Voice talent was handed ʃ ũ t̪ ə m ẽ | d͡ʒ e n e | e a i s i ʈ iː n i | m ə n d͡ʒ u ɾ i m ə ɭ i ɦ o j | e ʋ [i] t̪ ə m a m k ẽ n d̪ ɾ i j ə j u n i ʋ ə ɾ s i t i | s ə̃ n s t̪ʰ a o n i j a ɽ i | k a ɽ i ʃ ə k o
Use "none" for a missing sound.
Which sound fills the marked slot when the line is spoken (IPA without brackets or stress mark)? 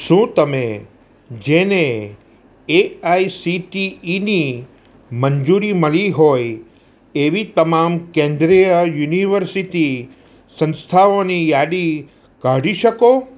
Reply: i